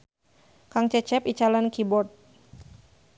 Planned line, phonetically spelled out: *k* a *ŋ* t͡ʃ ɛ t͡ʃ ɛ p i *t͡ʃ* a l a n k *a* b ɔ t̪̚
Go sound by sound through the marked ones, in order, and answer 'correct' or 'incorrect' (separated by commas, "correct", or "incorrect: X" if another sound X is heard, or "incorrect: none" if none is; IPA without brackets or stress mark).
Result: correct, correct, correct, incorrect: i